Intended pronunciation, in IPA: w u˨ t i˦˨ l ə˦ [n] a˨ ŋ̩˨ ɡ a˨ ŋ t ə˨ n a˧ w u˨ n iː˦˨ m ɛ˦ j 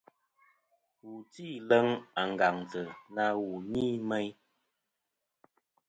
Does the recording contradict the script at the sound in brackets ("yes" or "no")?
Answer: yes